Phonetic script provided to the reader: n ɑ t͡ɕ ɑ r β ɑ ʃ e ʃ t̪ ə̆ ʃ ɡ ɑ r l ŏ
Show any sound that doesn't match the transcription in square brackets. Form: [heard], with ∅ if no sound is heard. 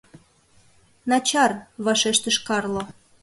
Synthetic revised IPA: n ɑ t͡ɕ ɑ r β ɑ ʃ e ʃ t̪ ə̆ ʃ [k] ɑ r l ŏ